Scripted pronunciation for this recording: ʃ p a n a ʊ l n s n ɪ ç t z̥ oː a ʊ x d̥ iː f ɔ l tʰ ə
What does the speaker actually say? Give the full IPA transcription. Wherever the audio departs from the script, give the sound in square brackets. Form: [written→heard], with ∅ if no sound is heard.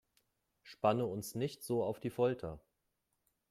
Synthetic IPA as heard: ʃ p a n [a→ə] ʊ [l→∅] n s n ɪ ç t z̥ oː a ʊ [x→f] d̥ iː f ɔ l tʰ [ə→ɐ]